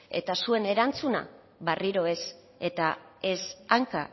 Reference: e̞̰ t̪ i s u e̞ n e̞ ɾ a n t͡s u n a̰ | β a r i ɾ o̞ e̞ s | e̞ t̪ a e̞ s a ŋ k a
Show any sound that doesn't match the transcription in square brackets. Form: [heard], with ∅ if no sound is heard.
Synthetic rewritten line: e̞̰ t̪ [a] s u e̞ n e̞ ɾ a n t͡s u n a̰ | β a r i ɾ o̞ e̞ s | e̞ t̪ a e̞ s a ŋ k a